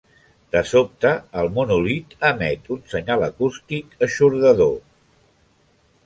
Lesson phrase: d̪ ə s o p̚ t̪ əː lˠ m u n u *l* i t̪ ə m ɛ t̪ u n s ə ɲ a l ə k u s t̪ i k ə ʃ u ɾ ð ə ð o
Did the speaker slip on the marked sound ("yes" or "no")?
no